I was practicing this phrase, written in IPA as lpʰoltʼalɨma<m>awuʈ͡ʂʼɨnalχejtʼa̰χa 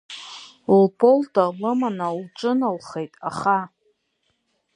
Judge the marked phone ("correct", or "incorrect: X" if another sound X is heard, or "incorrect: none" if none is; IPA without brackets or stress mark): incorrect: n